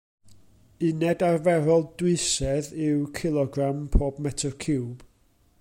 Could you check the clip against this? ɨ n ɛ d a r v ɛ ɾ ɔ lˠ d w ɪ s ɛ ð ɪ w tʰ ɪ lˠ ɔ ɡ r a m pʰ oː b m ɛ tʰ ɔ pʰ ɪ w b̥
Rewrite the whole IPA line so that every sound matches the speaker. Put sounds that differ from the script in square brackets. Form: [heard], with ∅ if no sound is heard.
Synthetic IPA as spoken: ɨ n ɛ d a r v ɛ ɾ ɔ lˠ d w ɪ s ɛ ð ɪ w [kʰ] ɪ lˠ ɔ ɡ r a m pʰ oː b m ɛ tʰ ɔ [kʰ] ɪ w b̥